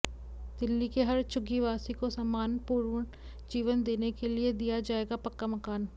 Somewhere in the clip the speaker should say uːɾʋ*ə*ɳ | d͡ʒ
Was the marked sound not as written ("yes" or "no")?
no